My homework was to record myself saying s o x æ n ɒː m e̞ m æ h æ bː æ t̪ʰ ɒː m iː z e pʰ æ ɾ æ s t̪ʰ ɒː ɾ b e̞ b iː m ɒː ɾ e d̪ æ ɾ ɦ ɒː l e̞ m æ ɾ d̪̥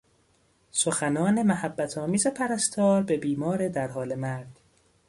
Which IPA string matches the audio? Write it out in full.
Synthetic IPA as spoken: s o x æ n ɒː n e̞ m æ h æ bː æ t̪ʰ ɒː m iː z e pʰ æ ɾ æ s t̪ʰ ɒː ɾ b e̞ b iː m ɒː ɾ e d̪ æ ɾ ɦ ɒː l e̞ m æ ɾ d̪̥